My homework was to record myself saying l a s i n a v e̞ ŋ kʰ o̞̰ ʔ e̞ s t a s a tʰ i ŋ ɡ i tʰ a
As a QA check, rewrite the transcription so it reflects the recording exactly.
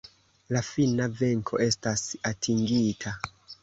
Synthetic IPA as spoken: l a f i n a v e̞ ŋ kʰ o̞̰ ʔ e̞ s t a s a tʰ i ŋ ɡ i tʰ a